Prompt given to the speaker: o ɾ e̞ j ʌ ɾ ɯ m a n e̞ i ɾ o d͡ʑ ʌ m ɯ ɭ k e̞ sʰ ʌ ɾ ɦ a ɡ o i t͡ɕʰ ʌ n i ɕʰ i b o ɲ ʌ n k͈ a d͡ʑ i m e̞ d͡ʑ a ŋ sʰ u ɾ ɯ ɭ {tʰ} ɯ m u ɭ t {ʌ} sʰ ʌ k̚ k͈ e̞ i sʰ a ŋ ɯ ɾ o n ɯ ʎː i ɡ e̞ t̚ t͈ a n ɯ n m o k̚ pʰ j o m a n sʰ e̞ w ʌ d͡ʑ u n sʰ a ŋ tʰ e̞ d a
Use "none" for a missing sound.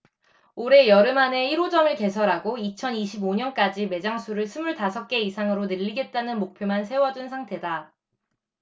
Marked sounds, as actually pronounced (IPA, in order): sʰ, a

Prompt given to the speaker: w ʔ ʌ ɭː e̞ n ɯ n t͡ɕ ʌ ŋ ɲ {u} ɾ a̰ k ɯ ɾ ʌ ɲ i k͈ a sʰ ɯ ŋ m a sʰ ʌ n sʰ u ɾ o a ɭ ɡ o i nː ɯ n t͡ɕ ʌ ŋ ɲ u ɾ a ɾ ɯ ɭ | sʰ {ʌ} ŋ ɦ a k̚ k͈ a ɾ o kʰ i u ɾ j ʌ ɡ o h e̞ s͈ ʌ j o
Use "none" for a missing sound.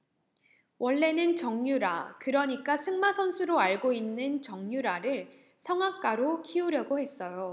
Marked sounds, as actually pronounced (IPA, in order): u, ʌ

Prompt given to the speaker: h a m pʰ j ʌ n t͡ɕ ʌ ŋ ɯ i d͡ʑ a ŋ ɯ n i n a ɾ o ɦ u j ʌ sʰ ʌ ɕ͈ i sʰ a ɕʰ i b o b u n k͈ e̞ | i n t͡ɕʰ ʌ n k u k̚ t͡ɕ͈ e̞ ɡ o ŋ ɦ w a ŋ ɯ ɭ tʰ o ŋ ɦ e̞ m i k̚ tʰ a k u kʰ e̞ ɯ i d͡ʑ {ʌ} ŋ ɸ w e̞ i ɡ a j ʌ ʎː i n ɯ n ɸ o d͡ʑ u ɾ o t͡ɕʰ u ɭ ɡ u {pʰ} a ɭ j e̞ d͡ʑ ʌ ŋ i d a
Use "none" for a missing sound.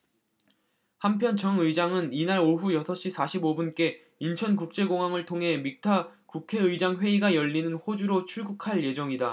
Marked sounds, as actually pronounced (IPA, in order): a, kʰ

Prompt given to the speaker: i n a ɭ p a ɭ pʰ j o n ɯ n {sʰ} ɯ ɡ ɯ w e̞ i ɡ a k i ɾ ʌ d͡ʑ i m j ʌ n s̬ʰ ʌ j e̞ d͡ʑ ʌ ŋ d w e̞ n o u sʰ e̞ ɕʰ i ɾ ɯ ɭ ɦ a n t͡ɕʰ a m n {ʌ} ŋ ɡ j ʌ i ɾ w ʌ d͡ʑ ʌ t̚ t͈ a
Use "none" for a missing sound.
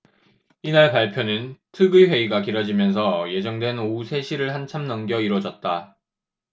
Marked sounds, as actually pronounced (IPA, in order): tʰ, ʌ

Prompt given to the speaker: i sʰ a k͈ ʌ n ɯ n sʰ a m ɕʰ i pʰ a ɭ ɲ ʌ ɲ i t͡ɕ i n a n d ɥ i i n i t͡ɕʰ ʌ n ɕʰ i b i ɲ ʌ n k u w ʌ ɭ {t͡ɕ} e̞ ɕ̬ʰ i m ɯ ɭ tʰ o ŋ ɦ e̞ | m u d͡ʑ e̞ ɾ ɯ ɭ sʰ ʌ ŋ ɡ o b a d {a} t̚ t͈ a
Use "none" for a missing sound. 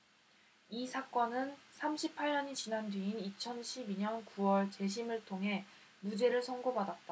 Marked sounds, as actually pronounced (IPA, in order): t͡ɕ, a

